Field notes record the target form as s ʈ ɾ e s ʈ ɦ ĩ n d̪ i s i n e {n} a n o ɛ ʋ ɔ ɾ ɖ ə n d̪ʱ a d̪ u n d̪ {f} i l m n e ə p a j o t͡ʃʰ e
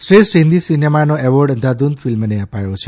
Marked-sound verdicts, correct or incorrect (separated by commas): incorrect, correct